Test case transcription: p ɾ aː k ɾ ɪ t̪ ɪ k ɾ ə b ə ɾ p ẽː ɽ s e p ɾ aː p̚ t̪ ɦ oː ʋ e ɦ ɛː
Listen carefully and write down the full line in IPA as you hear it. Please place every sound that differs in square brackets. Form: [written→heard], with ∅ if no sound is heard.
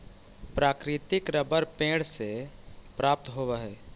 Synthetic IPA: p ɾ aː k ɾ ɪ t̪ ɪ k ɾ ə b ə ɾ p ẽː ɽ s e p ɾ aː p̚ t̪ ɦ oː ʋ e ɦ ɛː